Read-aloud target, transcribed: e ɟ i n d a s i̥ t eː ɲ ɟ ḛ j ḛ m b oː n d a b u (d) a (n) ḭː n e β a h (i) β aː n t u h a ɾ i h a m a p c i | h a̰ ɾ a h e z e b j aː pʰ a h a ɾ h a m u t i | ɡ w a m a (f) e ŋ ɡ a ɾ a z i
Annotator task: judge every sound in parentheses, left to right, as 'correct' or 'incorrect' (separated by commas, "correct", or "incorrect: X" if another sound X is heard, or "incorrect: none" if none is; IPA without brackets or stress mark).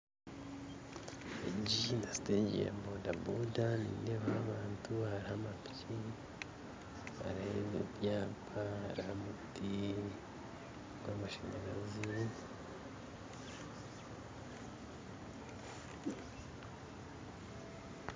correct, correct, incorrect: a, incorrect: ʃ